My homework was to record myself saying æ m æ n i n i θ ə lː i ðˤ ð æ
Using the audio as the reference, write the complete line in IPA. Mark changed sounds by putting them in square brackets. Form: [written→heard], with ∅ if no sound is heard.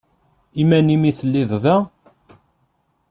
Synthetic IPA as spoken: [æ→i] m æ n i [n→m] i θ ə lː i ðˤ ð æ